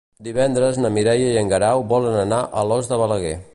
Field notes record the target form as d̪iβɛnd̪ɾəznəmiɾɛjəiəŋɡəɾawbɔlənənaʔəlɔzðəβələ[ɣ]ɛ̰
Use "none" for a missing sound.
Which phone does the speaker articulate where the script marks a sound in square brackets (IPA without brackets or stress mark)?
ɣ